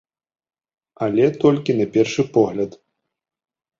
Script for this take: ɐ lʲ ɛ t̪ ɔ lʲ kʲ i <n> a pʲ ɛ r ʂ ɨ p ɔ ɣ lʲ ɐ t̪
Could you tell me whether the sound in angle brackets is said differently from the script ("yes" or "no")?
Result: no